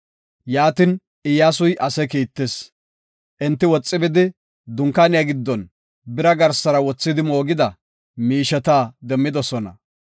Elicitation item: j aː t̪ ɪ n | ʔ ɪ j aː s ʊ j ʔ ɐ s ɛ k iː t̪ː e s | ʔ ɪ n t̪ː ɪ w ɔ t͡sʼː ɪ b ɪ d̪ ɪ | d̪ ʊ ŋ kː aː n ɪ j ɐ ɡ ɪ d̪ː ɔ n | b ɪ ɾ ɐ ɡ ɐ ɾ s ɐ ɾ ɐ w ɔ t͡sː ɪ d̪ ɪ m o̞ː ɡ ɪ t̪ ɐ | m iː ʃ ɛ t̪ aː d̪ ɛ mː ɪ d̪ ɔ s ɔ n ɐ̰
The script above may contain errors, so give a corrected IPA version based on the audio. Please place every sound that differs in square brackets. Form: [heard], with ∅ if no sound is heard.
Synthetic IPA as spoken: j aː t̪ ɪ n | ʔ ɪ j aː s ʊ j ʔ ɐ s ɛ k iː t̪ː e s | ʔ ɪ n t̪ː ɪ w ɔ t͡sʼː ɪ b ɪ d̪ ɪ | d̪ ʊ ŋ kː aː n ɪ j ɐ ɡ ɪ d̪ː ɔ n | b ɪ ɾ ɐ ɡ ɐ ɾ s ɐ ɾ ɐ w ɔ t͡sː ɪ d̪ ɪ m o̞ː ɡ ɪ [d̪] ɐ | m iː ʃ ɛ t̪ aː d̪ ɛ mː ɪ d̪ ɔ s ɔ n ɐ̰

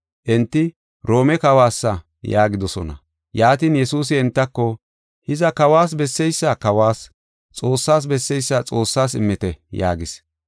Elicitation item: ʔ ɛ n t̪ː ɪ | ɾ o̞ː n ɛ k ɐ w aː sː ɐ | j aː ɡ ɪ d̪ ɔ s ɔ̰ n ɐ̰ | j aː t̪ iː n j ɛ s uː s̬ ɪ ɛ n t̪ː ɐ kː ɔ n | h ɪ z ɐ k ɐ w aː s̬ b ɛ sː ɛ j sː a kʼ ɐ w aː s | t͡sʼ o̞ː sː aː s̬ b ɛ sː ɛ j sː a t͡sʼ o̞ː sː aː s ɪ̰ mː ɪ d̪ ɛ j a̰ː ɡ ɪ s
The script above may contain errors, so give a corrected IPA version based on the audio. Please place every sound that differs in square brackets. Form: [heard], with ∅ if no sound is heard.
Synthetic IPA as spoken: ʔ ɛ n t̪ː ɪ | ɾ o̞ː [m] ɛ k ɐ w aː sː ɐ | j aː ɡ ɪ d̪ ɔ s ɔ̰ n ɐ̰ | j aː t̪ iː n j ɛ s uː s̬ ɪ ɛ n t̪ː ɐ kː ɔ [∅] | h ɪ z ɐ k ɐ w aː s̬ b ɛ sː ɛ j sː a [k] ɐ w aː s | t͡sʼ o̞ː sː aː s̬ b ɛ sː ɛ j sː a t͡sʼ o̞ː sː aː s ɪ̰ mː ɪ [t̪] ɛ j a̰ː ɡ ɪ s

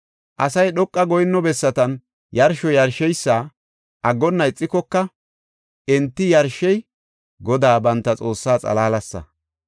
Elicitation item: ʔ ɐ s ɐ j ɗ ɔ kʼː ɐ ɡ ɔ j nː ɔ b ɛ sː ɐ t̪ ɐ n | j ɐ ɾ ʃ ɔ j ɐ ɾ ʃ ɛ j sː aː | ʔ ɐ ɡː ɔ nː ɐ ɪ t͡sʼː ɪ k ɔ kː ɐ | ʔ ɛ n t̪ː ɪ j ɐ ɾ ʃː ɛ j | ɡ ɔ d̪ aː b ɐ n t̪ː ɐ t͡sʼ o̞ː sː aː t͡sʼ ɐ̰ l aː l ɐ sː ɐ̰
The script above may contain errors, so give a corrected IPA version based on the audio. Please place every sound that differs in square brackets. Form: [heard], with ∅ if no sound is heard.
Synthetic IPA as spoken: ʔ ɐ s ɐ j ɗ ɔ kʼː ɐ ɡ ɔ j nː ɔ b ɛ sː ɐ t̪ ɐ n | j ɐ ɾ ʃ ɔ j ɐ ɾ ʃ ɛ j sː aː | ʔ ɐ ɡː ɔ nː ɐ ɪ t͡sʼː ɪ k ɔ kː ɐ | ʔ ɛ n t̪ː ɪ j ɐ ɾ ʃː ɛ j | ɡ ɔ d̪ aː b ɐ n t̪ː ɐ t͡sʼ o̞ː sː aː t͡sʼ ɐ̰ l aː l ɐ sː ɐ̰

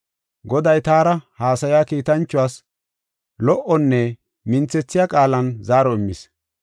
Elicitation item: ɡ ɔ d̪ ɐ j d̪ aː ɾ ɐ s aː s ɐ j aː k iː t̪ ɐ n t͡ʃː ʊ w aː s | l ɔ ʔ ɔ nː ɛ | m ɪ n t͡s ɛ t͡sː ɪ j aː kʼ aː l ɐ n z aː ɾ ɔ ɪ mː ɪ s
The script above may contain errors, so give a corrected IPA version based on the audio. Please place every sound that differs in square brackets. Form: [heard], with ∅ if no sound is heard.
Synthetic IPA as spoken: ɡ ɔ d̪ ɐ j [t̪] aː ɾ ɐ [h] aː s ɐ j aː k iː t̪ ɐ n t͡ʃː ʊ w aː s | l ɔ ʔ ɔ nː ɛ | m ɪ n t͡s ɛ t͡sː ɪ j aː kʼ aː l ɐ n z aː ɾ ɔ ɪ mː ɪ s

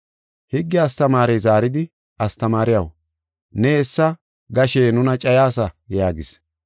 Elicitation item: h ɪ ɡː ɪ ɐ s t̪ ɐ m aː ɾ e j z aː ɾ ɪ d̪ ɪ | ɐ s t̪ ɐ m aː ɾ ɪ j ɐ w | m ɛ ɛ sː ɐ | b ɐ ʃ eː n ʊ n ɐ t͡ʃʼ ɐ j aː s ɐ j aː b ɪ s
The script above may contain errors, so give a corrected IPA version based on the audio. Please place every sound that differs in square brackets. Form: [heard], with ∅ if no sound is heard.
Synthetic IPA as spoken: h ɪ ɡː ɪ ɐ s t̪ ɐ m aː ɾ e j z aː ɾ ɪ d̪ ɪ | ɐ s t̪ ɐ m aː ɾ ɪ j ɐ w | [n] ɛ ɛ sː ɐ | [ɡ] ɐ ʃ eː n ʊ n ɐ t͡ʃʼ ɐ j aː s ɐ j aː [ɡ] ɪ s

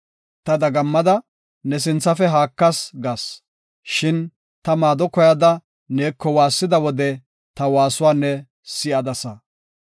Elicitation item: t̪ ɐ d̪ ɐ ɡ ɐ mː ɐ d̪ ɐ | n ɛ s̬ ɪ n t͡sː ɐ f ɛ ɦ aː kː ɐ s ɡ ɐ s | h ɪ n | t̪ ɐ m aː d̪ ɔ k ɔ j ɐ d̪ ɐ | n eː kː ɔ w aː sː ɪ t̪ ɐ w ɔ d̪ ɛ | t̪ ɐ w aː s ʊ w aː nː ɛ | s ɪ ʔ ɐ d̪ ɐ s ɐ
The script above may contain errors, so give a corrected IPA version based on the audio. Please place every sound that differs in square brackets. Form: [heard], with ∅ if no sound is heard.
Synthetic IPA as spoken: t̪ ɐ d̪ ɐ ɡ ɐ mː ɐ d̪ ɐ | n ɛ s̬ ɪ n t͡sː ɐ f ɛ ɦ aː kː ɐ s ɡ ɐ s | [ʃ] ɪ n | t̪ ɐ m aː d̪ ɔ k ɔ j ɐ d̪ ɐ | n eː kː ɔ w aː sː ɪ [d̪] ɐ w ɔ d̪ ɛ | t̪ ɐ w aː s ʊ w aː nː ɛ | s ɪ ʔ ɐ d̪ ɐ s ɐ

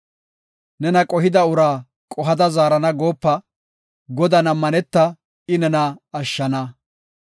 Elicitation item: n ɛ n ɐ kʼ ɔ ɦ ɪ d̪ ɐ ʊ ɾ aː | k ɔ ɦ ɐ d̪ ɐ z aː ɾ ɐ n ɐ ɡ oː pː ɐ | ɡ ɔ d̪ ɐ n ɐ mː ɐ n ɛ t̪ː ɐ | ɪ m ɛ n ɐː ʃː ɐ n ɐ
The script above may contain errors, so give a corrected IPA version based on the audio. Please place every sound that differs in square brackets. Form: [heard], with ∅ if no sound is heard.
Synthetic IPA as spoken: n ɛ n ɐ kʼ ɔ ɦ ɪ d̪ ɐ ʊ ɾ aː | [kʼ] ɔ ɦ ɐ d̪ ɐ z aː ɾ ɐ n ɐ ɡ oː pː ɐ | ɡ ɔ d̪ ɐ n ɐ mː ɐ n ɛ t̪ː ɐ | ɪ [n] ɛ n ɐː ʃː ɐ n ɐ

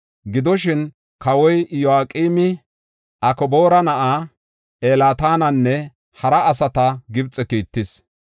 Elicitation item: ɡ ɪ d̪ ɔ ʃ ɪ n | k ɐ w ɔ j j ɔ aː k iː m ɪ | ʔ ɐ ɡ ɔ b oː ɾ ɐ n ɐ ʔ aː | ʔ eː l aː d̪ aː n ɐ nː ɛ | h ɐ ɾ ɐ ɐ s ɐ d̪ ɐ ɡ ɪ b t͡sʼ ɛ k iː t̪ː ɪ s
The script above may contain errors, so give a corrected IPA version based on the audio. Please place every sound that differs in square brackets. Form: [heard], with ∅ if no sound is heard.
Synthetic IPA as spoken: ɡ ɪ d̪ ɔ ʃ ɪ n | k ɐ w ɔ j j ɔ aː [kʼ] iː m ɪ | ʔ ɐ [k] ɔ b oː ɾ ɐ n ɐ ʔ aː | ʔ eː l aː [t̪] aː n ɐ nː ɛ | h ɐ ɾ ɐ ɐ s ɐ [t̪] ɐ ɡ ɪ b t͡sʼ ɛ k iː t̪ː ɪ s

